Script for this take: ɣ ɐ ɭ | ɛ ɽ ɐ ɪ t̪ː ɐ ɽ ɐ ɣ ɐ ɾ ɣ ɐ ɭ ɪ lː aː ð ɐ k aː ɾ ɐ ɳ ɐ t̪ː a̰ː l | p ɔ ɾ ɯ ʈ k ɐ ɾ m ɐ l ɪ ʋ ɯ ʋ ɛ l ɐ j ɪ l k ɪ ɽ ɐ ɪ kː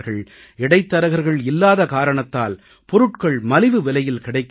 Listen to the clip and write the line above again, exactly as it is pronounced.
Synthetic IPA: ɣ ɐ ɭ | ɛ ɽ ɐ ɪ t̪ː ɐ ɾ ɐ ɣ ɐ ɾ ɣ ɐ ɭ ɪ lː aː ð ɐ k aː ɾ ɐ ɳ ɐ t̪ː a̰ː l | p ɔ ɾ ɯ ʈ k ɐ ɭ m ɐ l ɪ ʋ ɯ ʋ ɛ l ɐ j ɪ l k ɪ ɽ ɐ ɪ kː

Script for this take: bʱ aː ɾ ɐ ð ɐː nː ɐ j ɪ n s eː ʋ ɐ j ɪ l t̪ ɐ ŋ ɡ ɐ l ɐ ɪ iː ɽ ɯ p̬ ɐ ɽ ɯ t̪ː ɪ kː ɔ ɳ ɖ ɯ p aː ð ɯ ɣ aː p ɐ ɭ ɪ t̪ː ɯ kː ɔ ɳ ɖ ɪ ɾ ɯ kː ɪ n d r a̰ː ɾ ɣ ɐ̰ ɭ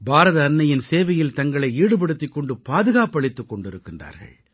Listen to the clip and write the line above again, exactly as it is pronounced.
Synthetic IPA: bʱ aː ɾ ɐ ð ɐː nː ɐ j ɪ n s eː ʋ ɐ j ɪ l t̪ ɐ ŋ ɡ ɐ ɭ ɐ ɪ iː ɽ ɯ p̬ ɐ ɽ ɯ t̪ː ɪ kː ɔ ɳ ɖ ɯ p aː ð ɯ ɣ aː p ɐ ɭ ɪ t̪ː ɯ kː ɔ ɳ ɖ ɪ ɾ ɯ kː ɪ n d r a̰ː ɾ ɣ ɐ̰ ɭ

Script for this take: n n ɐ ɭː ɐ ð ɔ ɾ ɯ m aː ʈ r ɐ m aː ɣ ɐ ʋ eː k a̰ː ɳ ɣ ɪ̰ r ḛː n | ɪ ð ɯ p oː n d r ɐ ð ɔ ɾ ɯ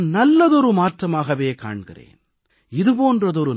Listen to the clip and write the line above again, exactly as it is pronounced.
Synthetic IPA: n n ɐ lː ɐ ð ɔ ɾ ɯ m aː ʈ r ɐ m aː ɣ ɐ ʋ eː k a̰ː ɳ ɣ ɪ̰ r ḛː n | ɪ ð ɯ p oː n d r ɐ ð ɔ ɾ ɯ

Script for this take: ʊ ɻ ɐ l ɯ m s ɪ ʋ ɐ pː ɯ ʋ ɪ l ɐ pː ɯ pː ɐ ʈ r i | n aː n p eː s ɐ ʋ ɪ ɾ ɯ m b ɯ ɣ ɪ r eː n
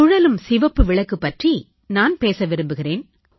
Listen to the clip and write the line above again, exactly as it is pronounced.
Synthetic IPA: ʊ ɻ ɐ l ɯ m s ɪ ʋ ɐ pː ɯ ʋ ɪ ɭ ɐ kː ɯ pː ɐ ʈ r i | n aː n p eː s ɐ ʋ ɪ ɾ ɯ m b ɯ ɣ ɪ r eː n

